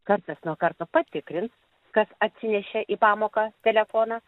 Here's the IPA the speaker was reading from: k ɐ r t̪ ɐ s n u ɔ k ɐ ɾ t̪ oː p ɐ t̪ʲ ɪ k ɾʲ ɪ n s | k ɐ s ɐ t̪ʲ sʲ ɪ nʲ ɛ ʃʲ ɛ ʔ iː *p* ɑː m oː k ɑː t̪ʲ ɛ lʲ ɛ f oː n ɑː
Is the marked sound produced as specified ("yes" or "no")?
yes